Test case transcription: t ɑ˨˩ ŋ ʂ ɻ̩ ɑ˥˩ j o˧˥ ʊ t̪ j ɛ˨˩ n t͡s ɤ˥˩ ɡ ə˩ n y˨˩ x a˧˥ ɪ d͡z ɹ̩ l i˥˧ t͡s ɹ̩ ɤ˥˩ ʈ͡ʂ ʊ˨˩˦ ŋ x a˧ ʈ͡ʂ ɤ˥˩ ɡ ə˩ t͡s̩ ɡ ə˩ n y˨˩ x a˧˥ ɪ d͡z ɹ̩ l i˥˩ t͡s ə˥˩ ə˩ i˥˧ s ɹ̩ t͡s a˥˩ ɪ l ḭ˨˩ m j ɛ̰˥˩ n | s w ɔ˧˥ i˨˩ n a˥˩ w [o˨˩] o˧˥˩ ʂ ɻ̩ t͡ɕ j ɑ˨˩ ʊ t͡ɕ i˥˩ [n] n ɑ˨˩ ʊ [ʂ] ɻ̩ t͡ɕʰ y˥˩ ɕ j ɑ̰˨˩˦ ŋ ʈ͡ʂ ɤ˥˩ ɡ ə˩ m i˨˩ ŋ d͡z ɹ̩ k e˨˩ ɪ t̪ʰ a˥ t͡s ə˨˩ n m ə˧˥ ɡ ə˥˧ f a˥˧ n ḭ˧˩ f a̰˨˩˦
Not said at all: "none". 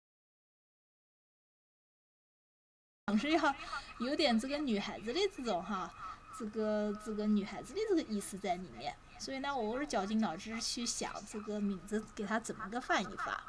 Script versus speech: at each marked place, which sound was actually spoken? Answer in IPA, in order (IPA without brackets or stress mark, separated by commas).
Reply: ɔ˨˩, ŋ, ʈ͡ʂ